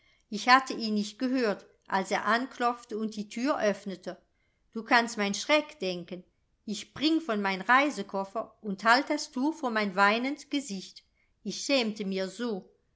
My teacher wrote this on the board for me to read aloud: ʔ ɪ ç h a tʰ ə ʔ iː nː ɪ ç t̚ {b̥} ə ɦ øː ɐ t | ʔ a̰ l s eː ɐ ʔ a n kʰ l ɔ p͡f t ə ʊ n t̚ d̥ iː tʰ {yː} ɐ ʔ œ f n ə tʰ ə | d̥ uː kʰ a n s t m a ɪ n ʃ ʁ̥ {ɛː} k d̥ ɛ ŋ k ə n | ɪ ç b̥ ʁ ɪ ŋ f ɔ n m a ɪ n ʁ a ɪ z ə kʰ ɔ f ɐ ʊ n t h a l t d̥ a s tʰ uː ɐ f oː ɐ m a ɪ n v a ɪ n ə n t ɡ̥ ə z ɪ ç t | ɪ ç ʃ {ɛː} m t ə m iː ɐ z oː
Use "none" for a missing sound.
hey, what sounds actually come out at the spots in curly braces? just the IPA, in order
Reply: ɡ̥, yː, ɛ, ɛː

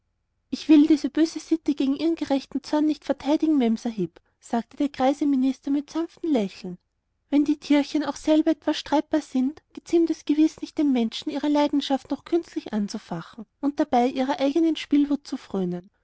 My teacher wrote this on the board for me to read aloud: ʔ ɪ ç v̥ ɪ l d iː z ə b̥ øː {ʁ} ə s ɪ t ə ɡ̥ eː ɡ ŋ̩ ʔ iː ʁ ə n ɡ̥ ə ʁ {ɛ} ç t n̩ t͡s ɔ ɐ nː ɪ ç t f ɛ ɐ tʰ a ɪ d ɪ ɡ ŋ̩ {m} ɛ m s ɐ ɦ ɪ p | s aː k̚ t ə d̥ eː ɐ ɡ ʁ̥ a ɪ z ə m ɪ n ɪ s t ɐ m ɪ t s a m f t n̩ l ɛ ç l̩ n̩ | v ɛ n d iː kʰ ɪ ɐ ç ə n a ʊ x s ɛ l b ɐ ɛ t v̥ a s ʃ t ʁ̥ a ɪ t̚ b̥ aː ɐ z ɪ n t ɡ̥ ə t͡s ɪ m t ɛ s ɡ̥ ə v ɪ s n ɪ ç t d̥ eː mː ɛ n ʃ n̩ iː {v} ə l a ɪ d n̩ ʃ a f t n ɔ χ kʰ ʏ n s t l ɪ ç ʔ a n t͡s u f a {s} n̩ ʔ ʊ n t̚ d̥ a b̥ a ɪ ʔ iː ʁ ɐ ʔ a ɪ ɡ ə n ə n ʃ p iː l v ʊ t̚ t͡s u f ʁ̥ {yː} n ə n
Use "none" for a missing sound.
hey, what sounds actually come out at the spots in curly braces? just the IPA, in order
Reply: z, ɛ, m, ʁ, χ, øː

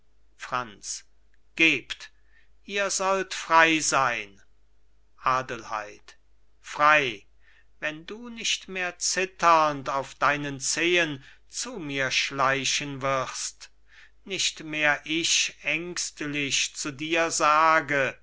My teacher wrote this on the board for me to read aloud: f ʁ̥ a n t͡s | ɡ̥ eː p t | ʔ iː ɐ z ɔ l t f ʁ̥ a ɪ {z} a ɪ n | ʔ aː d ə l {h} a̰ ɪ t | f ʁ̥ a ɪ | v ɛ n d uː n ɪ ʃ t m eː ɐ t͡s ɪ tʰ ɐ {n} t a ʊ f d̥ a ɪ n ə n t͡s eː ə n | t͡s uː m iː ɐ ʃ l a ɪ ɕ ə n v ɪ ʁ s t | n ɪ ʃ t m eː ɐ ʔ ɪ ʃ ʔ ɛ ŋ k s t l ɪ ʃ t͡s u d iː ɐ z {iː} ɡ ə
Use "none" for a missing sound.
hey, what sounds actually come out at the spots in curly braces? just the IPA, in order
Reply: z, h, n, aː

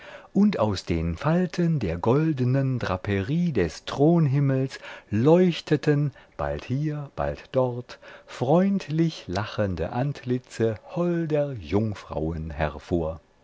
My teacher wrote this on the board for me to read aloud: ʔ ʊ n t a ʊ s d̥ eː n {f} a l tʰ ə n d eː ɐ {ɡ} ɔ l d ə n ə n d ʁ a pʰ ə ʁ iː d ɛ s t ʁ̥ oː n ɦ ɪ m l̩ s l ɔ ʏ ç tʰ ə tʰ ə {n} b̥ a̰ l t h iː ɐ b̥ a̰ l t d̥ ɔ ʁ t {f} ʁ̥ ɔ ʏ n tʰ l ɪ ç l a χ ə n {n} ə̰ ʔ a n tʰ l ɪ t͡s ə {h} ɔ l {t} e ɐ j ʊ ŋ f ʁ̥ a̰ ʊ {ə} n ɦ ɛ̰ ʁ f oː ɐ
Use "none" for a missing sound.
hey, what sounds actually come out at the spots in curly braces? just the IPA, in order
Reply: f, ɡ, n, f, d, h, d, ə

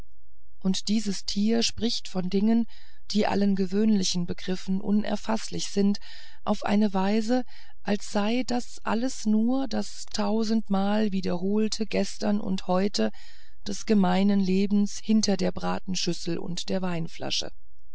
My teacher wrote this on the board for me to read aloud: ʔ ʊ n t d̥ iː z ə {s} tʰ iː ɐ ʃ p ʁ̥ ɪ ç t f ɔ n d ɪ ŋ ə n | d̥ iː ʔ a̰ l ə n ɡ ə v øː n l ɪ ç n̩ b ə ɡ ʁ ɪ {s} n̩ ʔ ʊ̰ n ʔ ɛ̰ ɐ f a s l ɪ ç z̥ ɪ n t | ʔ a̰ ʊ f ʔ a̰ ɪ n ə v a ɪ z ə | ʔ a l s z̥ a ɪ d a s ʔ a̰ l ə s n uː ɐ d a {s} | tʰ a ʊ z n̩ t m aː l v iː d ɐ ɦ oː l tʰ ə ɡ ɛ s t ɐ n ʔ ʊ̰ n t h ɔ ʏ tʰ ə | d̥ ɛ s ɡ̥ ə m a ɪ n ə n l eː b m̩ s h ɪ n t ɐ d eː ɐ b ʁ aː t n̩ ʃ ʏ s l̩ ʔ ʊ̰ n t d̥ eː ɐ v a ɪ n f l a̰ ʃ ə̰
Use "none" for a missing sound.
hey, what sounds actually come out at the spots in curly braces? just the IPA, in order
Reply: s, f, s

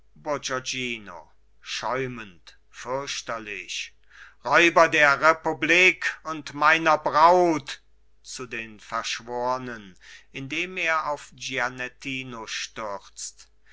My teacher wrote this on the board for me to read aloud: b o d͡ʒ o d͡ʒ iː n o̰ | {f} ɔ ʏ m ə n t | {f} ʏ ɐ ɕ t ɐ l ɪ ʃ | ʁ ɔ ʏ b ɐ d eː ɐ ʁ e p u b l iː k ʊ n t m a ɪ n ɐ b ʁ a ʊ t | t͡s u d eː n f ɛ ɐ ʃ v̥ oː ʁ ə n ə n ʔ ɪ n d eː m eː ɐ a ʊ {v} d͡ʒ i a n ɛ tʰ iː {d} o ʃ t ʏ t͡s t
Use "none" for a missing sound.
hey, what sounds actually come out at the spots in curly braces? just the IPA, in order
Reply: ʃ, f, f, n

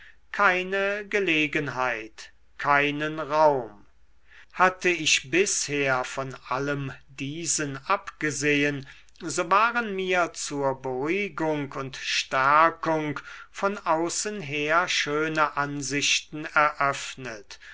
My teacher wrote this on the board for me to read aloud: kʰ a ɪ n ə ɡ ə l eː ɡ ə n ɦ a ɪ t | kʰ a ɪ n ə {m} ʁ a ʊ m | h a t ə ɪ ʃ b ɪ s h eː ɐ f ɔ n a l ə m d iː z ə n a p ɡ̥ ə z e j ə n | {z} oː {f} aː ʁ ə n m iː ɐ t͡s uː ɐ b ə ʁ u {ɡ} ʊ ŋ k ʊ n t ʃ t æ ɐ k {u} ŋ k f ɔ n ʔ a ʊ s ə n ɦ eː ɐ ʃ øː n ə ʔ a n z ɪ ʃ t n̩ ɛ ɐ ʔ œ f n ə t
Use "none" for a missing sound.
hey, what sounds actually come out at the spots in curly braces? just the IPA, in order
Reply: n, z, v, ɡ, ʊ

